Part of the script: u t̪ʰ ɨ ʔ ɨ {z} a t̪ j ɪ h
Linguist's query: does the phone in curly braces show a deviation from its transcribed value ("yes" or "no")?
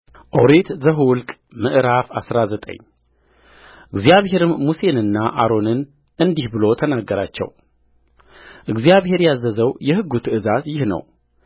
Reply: no